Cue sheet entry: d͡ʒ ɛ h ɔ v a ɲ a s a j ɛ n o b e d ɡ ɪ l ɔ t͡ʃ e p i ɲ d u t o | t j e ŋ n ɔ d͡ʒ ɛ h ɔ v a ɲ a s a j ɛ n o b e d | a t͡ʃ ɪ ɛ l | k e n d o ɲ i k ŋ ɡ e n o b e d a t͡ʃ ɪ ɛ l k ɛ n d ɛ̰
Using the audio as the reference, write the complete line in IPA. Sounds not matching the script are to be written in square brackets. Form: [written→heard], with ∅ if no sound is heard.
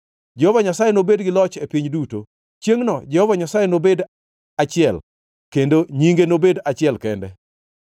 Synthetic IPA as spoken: d͡ʒ ɛ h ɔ v a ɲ a s a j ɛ n o b e d ɡ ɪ l ɔ t͡ʃ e p i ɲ d u t o | [t→t͡ʃ] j e ŋ n ɔ d͡ʒ ɛ h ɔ v a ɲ a s a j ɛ n o b e d | a t͡ʃ ɪ ɛ l | k e n d o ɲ i [k→∅] ŋ ɡ e n o b e d a t͡ʃ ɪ ɛ l k ɛ n d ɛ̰